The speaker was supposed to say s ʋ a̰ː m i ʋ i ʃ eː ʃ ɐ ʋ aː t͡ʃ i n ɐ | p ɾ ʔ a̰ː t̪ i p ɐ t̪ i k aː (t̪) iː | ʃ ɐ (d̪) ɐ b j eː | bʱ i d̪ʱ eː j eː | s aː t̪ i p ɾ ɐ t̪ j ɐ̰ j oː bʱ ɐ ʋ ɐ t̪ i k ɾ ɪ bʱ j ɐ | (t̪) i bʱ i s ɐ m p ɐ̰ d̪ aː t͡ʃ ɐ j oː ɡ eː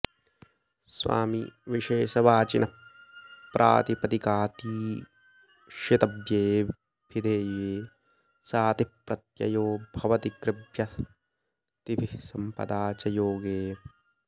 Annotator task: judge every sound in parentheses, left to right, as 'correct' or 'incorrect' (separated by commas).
correct, incorrect, correct